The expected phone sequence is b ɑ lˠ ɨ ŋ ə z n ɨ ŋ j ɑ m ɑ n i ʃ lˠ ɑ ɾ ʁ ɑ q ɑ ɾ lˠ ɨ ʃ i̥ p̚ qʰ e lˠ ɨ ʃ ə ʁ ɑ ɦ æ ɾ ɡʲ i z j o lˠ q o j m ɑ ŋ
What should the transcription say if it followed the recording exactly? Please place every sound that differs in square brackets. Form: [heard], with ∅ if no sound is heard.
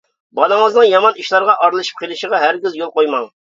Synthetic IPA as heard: b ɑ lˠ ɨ ŋ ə z n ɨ ŋ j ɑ m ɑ n i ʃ lˠ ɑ ɾ ʁ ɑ [ʔ] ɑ ɾ lˠ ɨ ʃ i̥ p̚ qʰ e lˠ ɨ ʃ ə ʁ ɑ ɦ æ ɾ ɡʲ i z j o lˠ q o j m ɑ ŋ